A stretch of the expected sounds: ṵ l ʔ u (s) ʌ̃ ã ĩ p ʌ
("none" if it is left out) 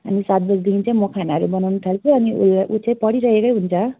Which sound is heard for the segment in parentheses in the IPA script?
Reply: t͡s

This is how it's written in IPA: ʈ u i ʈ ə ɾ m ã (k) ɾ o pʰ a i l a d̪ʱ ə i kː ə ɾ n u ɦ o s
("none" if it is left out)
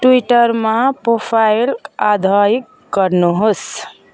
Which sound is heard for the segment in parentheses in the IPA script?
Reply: p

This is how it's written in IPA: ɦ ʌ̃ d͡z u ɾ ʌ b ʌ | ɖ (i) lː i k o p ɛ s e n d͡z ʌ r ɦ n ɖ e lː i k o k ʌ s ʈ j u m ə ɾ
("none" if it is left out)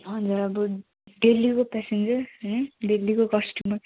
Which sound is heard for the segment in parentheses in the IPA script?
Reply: e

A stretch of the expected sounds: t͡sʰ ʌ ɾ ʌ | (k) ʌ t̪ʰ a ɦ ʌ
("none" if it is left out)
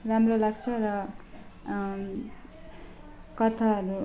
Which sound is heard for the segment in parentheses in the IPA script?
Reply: k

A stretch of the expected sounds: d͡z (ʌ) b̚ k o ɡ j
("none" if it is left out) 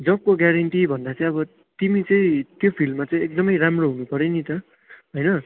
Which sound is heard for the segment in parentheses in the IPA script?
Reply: ʌ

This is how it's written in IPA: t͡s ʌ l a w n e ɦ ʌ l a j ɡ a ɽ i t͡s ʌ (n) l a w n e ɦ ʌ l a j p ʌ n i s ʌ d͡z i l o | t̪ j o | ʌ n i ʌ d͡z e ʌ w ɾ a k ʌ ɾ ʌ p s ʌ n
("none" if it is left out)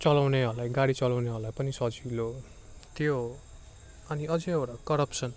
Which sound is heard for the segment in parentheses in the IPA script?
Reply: none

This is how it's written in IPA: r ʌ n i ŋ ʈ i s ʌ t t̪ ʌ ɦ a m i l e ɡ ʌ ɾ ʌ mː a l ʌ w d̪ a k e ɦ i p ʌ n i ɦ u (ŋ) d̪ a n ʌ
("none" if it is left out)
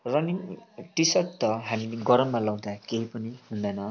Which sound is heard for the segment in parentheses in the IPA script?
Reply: n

